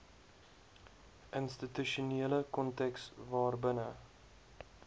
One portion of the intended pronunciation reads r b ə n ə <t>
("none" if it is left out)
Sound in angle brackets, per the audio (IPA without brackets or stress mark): none